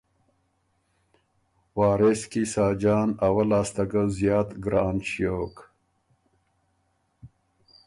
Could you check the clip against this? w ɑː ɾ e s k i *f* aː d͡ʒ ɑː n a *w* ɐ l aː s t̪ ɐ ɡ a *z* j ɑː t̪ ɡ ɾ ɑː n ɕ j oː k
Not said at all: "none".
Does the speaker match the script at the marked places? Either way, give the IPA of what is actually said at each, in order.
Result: s, w, z

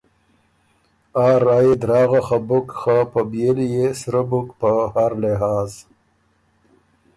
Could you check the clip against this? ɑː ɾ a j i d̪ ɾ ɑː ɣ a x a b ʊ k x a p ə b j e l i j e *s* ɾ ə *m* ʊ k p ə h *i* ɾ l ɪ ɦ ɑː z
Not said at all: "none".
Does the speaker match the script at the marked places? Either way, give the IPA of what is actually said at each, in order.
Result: s, b, a

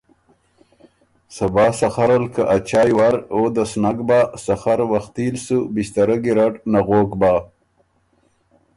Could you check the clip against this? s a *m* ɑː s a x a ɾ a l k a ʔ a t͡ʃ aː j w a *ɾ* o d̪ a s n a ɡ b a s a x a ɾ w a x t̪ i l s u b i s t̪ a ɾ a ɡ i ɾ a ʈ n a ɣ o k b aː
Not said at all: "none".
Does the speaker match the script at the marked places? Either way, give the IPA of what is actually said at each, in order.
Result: b, ɾ

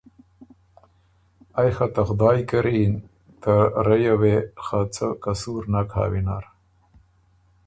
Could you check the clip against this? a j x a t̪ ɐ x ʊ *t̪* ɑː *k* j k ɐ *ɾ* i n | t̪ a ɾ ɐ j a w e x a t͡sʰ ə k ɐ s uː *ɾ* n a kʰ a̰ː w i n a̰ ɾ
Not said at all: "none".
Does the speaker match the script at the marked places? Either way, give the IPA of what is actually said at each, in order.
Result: d̪, none, ɾ, ɾ

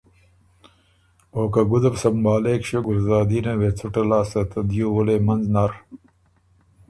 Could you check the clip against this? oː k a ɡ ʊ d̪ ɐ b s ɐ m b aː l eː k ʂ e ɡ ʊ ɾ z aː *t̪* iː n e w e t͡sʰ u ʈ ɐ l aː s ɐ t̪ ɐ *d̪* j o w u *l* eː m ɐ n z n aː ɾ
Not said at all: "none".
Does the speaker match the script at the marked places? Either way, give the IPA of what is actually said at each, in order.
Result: d̪, d̪, l

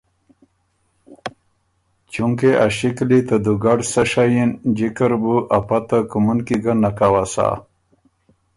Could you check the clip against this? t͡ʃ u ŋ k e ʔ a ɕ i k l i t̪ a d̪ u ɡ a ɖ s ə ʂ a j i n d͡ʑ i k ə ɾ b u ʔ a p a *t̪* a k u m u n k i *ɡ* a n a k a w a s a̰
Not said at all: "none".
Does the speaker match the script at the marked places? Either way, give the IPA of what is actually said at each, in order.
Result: t̪, ɡ

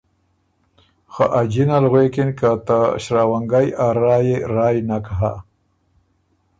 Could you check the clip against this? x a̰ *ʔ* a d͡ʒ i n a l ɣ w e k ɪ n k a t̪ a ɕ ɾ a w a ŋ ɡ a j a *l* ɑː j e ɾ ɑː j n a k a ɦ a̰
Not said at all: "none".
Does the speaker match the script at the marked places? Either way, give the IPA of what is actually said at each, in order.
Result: ʔ, ɾ

